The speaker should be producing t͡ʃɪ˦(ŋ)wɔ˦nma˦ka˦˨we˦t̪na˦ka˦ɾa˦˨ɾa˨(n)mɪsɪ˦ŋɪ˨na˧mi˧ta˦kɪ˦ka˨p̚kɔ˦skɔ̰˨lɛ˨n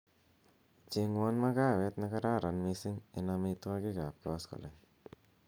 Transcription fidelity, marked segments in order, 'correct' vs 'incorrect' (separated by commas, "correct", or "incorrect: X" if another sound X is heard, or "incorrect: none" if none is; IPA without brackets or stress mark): correct, correct